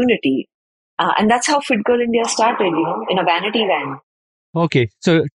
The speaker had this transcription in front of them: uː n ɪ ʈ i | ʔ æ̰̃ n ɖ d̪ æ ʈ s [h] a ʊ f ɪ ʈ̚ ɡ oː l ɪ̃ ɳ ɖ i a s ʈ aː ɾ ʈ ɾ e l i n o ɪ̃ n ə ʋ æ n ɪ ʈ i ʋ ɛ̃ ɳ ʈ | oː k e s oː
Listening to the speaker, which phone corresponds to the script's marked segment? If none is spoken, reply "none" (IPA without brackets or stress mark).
h